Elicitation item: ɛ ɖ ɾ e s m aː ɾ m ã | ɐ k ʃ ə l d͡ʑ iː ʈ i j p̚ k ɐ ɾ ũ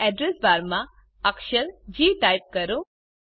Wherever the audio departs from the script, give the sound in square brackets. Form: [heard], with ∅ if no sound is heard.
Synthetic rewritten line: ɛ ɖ ɾ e s [b] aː ɾ m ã | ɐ k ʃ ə [ɾ] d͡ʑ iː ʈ [a] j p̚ k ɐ ɾ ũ